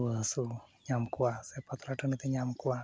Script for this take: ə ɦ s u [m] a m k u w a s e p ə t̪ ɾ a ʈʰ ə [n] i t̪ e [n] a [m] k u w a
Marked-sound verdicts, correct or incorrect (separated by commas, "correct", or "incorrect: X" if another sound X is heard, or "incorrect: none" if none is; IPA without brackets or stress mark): incorrect: ɲ, correct, incorrect: ɲ, correct